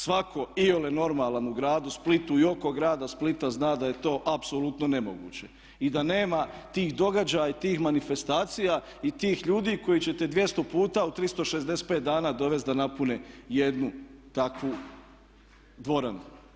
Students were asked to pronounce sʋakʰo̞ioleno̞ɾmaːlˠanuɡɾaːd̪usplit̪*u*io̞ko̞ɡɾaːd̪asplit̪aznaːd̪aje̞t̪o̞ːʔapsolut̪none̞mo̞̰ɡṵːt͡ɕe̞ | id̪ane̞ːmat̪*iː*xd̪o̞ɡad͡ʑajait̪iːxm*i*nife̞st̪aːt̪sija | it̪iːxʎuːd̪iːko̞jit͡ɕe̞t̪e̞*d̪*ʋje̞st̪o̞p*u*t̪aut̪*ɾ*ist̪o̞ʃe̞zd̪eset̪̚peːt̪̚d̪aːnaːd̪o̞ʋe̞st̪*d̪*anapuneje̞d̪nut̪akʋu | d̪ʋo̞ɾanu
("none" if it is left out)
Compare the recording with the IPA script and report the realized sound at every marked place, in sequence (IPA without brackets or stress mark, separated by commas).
u, iː, a, d̪, uː, ɾ, d̪